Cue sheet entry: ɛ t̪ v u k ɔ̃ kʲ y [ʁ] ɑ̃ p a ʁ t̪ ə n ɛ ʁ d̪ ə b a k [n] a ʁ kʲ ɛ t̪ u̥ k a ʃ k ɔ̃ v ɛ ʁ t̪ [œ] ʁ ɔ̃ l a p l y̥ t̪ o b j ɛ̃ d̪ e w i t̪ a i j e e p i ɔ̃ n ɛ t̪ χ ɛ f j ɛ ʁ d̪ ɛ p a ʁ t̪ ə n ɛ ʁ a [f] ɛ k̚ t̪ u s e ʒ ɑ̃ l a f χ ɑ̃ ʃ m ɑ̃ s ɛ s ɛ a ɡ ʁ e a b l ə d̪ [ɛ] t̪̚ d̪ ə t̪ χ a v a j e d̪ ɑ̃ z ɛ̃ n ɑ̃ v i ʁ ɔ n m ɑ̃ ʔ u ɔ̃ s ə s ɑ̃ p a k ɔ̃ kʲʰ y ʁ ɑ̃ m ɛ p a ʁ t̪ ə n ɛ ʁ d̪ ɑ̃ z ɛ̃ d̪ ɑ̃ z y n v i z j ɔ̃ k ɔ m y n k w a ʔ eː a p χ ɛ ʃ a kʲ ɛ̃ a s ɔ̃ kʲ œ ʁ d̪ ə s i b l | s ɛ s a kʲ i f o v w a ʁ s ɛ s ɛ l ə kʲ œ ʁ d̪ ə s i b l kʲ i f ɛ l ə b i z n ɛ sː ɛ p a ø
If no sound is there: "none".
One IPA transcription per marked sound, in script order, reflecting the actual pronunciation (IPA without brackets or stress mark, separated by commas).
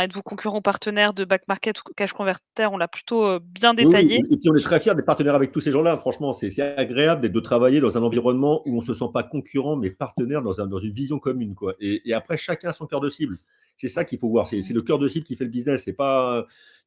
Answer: ʁ, m, ɛ, v, ɛ